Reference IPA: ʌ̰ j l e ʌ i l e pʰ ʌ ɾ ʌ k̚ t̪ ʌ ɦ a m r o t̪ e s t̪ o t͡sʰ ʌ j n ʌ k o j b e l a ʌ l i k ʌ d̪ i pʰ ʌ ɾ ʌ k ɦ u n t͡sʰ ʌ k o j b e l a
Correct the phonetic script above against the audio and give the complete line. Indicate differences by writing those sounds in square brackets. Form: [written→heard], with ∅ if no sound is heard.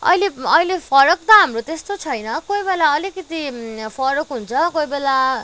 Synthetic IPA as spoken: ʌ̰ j l e ʌ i l e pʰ ʌ ɾ ʌ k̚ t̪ ʌ ɦ a m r o t̪ e s t̪ o t͡sʰ ʌ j n ʌ k o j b e l a ʌ l i k ʌ [d̪→t̪] i pʰ ʌ ɾ ʌ k ɦ u n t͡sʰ ʌ k o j b e l a